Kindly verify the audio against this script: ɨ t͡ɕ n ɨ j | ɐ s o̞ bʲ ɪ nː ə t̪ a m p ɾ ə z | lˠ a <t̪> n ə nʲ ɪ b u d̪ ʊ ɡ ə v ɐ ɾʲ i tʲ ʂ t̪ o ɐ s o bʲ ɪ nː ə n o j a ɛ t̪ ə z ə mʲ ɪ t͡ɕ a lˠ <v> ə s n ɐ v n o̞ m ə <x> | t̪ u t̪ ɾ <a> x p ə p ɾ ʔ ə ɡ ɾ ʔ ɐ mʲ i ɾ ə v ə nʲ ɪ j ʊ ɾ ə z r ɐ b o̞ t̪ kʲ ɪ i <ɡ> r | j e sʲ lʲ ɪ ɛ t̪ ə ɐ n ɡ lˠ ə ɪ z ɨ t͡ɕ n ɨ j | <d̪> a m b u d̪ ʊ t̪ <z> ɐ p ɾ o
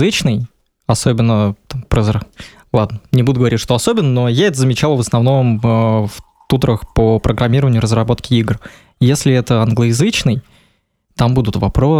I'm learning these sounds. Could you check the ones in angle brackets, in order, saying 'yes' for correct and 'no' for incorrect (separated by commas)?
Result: no, yes, no, no, yes, no, no